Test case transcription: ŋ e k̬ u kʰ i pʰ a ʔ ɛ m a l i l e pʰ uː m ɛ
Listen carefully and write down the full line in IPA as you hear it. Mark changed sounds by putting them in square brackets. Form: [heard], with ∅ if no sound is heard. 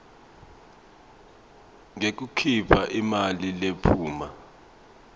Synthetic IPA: ŋ e k̬ u kʰ i pʰ a ʔ [i] m a l i l e pʰ uː m [a]